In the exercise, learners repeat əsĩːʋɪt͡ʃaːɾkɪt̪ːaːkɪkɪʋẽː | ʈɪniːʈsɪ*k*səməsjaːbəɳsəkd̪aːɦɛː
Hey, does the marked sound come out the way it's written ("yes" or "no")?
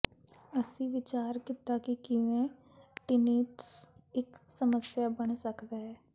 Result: yes